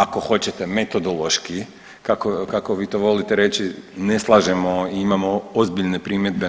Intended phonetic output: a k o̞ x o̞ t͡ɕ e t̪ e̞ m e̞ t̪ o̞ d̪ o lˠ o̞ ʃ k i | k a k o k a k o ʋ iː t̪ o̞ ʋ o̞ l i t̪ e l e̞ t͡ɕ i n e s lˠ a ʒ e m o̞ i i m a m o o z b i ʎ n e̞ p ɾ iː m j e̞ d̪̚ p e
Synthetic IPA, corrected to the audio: a k o̞ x o̞ t͡ɕ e t̪ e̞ m e̞ t̪ o̞ d̪ o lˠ o̞ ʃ k i | k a k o k a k o ʋ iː t̪ o̞ ʋ o̞ l i t̪ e ɾ e̞ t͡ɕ i n e s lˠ a ʒ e m o̞ i i m a m o o z b i ʎ n e̞ p ɾ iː m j e̞ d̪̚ b e